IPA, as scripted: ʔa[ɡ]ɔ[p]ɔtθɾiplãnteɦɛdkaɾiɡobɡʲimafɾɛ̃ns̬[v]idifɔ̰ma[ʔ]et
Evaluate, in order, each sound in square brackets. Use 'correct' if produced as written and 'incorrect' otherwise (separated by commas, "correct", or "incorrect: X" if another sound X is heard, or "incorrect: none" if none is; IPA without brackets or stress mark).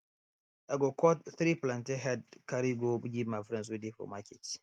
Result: correct, incorrect: k, incorrect: w, incorrect: k